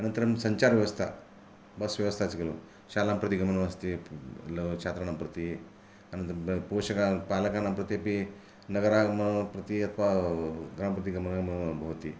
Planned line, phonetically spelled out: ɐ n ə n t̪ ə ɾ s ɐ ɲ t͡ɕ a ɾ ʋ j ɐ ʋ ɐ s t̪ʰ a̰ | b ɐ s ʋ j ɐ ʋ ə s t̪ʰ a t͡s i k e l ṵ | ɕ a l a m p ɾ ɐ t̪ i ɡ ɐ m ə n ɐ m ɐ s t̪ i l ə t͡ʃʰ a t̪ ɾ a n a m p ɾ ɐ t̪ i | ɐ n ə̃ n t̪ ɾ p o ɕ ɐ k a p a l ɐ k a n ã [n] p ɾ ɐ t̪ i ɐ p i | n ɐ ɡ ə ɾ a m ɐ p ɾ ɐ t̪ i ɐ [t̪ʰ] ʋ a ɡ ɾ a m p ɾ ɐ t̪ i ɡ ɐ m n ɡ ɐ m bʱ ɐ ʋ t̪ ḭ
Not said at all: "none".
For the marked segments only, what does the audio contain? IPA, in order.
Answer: m, t̪ʰ

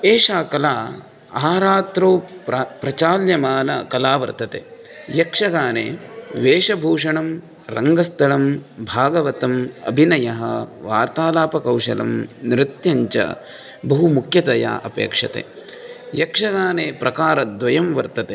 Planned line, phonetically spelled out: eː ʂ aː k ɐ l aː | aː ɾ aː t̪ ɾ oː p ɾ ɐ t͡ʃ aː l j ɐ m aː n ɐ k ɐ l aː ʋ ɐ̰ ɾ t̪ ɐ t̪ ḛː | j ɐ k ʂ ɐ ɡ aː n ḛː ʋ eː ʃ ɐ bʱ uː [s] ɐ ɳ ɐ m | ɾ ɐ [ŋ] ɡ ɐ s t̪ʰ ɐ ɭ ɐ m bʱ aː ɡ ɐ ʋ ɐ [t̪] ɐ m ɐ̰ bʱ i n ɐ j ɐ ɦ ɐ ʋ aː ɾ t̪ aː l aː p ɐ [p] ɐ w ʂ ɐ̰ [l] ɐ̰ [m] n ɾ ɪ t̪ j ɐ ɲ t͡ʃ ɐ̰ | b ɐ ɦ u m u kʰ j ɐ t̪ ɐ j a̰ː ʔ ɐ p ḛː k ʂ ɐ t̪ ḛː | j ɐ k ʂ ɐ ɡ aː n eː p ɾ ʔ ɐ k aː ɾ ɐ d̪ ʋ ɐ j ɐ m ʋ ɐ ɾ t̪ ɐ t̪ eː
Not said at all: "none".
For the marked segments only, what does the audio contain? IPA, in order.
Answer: ʂ, ŋ, t̪, k, l, m

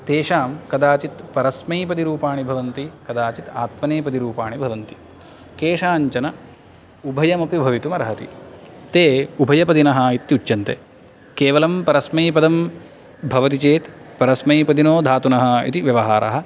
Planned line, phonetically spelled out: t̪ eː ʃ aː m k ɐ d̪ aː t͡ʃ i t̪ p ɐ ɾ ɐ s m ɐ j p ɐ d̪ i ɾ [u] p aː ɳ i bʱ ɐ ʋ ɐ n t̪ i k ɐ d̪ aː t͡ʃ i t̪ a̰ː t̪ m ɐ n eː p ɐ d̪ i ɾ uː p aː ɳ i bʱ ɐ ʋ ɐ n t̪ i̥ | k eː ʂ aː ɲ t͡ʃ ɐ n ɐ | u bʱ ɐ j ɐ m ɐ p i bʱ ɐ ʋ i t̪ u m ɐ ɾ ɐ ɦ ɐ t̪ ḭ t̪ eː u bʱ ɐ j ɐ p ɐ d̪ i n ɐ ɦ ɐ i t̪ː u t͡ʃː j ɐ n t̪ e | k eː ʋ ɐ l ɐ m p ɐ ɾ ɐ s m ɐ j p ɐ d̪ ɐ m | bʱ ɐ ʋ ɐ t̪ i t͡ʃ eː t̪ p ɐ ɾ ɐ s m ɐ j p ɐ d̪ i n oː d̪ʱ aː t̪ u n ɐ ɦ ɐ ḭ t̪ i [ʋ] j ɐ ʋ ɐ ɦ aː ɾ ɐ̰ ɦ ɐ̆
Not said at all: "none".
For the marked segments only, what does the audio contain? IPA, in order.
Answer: uː, ʋ

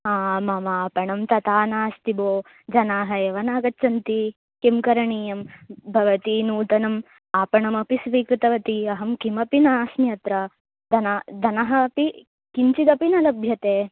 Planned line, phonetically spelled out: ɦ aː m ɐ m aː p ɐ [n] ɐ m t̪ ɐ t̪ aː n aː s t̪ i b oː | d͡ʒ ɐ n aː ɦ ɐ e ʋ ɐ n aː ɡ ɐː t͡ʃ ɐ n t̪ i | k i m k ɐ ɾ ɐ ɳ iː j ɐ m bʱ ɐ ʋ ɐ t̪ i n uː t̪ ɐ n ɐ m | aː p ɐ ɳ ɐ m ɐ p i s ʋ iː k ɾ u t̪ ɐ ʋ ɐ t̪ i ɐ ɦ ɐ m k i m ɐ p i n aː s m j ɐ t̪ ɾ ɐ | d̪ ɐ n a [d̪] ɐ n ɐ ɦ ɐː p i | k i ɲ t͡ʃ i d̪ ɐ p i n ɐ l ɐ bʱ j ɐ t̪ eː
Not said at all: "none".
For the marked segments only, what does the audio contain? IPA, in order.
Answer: ɳ, d̪

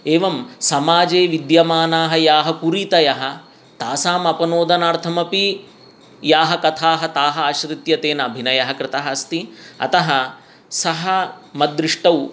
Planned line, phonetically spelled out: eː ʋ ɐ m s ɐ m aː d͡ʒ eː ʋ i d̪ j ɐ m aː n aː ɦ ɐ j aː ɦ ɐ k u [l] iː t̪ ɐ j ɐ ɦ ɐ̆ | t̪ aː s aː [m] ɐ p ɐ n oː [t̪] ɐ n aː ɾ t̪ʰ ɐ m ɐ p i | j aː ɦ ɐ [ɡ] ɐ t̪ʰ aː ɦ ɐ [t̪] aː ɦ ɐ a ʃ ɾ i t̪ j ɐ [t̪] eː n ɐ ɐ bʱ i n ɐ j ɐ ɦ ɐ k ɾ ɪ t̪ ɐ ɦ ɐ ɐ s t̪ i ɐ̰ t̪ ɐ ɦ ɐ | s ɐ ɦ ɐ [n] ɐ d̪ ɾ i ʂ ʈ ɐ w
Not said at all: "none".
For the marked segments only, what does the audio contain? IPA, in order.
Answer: ɾ, m, d̪, k, t̪, t̪, m

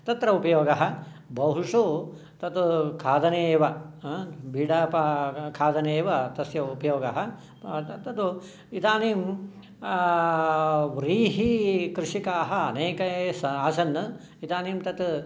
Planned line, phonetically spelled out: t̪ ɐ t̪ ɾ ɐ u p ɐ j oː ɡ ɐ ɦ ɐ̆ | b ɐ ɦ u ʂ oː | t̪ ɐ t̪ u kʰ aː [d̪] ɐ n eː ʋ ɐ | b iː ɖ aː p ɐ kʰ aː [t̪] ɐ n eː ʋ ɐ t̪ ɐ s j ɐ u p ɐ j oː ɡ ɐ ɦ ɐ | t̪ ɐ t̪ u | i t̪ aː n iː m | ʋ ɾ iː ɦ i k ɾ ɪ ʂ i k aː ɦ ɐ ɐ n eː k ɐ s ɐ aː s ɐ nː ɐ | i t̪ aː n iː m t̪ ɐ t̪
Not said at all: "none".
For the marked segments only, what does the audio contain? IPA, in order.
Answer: d̪, d̪

